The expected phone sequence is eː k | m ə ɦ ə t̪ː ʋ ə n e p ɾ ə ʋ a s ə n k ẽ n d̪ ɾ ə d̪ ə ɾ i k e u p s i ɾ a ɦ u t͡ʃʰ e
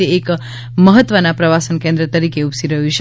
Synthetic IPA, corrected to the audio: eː k | m ə ɦ ə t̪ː ʋ ə n a p ɾ ə ʋ a s ə n k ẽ n d̪ ɾ ə t̪ ə ɾ i k e u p s i ɾ ə ɦ u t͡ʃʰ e